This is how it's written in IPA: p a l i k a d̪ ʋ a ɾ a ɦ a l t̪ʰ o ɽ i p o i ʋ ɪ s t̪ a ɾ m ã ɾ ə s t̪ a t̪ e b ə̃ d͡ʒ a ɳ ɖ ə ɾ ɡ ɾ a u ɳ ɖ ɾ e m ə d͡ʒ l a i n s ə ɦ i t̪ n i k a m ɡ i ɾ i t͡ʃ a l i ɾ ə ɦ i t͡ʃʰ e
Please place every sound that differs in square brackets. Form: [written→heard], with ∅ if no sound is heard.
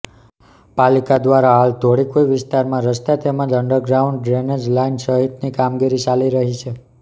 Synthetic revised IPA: p a l i k a d̪ ʋ a ɾ a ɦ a l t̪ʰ o ɽ i [p→k] o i ʋ ɪ s t̪ a ɾ m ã ɾ ə s t̪ a t̪ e [b→m] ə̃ d͡ʒ [a→ə] ɳ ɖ ə ɾ ɡ ɾ a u ɳ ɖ ɾ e [m→n] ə d͡ʒ l a i n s ə ɦ i t̪ n i k a m ɡ i ɾ i t͡ʃ a l i ɾ ə ɦ i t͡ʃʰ e